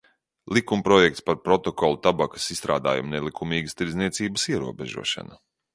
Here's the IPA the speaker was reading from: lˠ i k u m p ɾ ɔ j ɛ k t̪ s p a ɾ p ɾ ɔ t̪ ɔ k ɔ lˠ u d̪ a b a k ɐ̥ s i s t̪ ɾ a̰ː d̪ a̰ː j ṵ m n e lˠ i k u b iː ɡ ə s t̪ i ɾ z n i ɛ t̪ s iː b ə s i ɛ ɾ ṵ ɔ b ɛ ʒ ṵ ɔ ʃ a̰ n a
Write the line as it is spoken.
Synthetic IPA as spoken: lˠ i k u m p ɾ ɔ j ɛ k t̪ s p a ɾ p ɾ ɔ t̪ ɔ k ɔ lˠ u t̪ a b a k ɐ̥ s i s t̪ ɾ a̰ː d̪ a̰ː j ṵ m n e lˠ i k u m iː ɡ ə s t̪ i ɾ z n i ɛ t̪ s iː b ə s i ɛ ɾ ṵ ɔ b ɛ ʒ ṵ ɔ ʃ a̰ n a